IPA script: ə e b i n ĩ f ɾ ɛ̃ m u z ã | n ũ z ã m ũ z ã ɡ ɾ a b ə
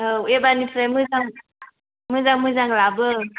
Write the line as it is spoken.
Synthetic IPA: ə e b a n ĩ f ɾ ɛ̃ m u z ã | m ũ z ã m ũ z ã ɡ l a b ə